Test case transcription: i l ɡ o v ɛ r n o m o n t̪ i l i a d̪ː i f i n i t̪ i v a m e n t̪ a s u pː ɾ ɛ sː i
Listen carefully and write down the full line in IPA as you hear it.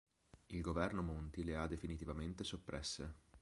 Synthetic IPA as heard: i l ɡ o v ɛ r n o m o n t̪ i l e a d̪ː e f i n i t̪ i v a m e n t̪ e s o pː ɾ ɛ sː e